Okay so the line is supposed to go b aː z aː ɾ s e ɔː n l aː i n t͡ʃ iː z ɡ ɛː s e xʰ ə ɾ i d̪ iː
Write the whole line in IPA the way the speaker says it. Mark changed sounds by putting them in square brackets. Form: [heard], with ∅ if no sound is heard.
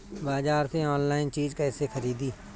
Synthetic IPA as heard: b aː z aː ɾ s e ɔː n l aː [ɪ] n t͡ʃ iː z [k] ɛː s e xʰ ə ɾ [iː] d̪ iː

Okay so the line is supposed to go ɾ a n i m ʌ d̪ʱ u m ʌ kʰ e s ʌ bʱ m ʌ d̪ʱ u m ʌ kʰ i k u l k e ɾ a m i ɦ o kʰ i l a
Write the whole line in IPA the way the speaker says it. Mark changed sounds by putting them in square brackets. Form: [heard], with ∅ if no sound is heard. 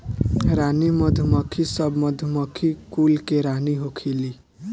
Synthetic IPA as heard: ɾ a n i m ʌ d̪ʱ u m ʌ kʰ [i] s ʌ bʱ m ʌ d̪ʱ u m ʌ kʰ i k u l k e ɾ a [n] i ɦ o kʰ i l [i]

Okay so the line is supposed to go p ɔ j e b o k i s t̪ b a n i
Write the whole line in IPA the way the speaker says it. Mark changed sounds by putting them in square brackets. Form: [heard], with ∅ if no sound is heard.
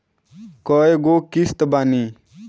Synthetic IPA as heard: [k] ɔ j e [ɡ] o k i s t̪ b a n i

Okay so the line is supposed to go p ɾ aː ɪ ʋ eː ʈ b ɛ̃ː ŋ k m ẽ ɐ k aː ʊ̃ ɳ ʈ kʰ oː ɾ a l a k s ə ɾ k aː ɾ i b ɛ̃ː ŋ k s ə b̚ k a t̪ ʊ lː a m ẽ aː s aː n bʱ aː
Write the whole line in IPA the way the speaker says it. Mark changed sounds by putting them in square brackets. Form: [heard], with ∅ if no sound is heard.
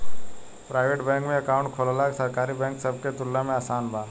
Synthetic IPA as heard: p ɾ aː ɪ ʋ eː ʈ b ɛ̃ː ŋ k m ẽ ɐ k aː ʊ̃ ɳ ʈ kʰ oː [l] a l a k s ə ɾ k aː ɾ i b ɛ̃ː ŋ k s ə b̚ k [e] t̪ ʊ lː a m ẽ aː s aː n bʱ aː

